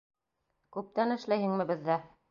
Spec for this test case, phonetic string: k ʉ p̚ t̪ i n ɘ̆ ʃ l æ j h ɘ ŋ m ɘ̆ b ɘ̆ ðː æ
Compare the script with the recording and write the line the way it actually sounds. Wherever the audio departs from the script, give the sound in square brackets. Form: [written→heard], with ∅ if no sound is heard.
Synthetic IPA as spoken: k ʉ p̚ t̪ [i→æ] n ɘ̆ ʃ l æ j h ɘ ŋ m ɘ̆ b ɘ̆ ðː æ

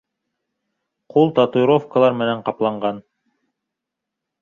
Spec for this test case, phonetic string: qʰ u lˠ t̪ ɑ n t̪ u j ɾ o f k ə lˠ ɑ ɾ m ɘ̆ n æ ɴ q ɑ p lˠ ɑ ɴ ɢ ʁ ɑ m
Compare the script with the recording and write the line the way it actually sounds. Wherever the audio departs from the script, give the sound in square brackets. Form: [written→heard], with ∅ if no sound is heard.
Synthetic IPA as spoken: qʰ u lˠ t̪ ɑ [n→∅] t̪ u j ɾ o f k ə lˠ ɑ ɾ m ɘ̆ n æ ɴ q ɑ p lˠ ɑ ɴ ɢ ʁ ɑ [m→n]

